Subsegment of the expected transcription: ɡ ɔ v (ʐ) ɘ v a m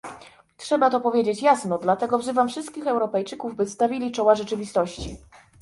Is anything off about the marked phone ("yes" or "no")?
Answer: yes